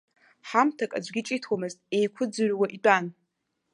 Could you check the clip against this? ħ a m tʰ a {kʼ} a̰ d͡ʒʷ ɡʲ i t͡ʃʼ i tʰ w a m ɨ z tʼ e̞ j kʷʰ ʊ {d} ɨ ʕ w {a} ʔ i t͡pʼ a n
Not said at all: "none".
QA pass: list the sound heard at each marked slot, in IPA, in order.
kʼ, d͡z, a

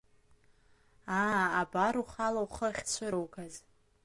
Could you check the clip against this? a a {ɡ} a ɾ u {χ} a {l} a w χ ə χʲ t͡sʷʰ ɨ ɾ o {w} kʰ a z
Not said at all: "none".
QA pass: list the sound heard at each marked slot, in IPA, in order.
b, χ, l, w

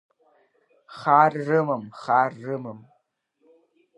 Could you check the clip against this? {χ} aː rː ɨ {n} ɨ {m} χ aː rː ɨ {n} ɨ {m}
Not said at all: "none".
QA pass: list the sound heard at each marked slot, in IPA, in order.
χ, m, m, m, m

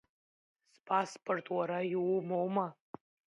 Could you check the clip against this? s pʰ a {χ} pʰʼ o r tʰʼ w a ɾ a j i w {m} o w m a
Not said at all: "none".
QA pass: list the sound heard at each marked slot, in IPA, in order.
s, m

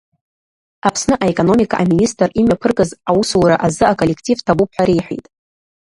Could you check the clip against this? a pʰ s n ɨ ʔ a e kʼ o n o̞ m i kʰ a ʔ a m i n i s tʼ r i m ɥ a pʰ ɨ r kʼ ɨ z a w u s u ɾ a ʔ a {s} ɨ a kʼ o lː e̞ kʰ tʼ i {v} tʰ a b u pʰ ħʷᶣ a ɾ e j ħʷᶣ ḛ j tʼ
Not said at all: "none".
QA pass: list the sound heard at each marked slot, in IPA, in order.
z, v

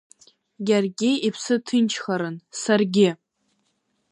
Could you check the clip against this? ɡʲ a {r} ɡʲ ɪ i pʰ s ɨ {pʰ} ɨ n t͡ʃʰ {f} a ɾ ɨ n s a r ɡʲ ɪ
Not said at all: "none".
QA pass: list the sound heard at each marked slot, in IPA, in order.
r, tʰ, χ

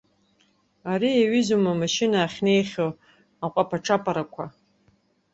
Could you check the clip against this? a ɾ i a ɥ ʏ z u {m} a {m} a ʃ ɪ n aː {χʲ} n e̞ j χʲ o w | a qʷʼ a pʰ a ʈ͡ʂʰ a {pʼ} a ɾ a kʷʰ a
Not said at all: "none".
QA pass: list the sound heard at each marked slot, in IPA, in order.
m, m, χʲ, pʼ

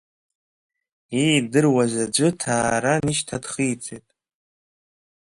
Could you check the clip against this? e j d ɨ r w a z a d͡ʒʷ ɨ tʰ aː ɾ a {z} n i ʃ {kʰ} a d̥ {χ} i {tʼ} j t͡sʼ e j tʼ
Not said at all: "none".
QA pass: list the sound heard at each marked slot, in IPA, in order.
none, tʰ, χ, none

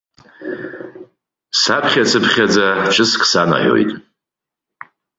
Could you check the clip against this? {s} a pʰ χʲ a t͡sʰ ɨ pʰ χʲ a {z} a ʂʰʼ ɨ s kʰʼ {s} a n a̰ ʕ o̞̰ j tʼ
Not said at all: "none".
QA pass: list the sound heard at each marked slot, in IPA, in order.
s, d͡z, s

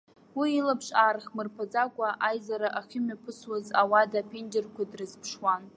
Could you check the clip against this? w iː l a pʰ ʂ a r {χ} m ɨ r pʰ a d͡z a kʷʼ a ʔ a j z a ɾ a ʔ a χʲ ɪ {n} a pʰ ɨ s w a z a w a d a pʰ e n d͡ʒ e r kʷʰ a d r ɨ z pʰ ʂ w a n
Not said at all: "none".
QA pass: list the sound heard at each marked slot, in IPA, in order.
χ, m

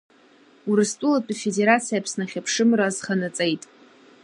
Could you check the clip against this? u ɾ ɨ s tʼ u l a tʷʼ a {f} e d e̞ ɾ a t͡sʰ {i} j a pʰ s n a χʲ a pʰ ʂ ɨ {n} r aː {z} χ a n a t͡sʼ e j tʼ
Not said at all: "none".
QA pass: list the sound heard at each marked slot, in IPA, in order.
f, i, m, z

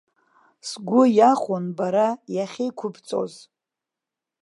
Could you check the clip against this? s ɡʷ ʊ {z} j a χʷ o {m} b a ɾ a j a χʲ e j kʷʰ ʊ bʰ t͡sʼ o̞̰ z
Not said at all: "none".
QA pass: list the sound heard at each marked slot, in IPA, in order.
none, n

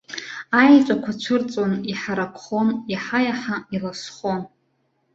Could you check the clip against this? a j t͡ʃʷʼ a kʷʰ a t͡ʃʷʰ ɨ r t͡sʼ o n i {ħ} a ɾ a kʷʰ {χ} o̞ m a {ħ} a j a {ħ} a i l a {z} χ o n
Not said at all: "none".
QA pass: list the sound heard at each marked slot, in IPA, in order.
ħ, χ, ħ, ħ, s

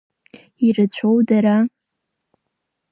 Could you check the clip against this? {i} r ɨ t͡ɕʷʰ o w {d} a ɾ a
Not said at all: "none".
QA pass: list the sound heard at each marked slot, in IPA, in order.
i, d

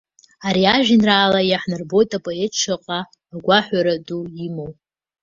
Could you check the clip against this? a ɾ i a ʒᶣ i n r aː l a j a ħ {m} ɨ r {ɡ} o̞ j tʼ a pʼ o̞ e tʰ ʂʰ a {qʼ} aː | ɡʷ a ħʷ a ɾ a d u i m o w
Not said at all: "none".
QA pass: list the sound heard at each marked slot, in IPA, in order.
n, b, qʼ

